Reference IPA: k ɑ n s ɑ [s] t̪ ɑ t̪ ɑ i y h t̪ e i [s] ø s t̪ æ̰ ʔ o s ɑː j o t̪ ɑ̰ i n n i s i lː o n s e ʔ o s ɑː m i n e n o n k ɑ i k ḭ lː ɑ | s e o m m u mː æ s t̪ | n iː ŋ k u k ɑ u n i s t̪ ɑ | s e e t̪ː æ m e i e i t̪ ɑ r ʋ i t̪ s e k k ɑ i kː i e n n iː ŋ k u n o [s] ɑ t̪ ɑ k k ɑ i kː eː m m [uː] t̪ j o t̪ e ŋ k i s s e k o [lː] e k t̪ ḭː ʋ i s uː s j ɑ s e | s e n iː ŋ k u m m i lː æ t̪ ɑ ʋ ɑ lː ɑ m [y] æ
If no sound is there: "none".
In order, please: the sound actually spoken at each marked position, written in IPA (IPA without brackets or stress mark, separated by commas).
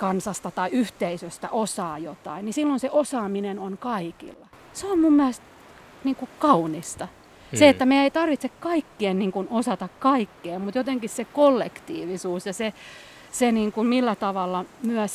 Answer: s, s, s, u, lː, y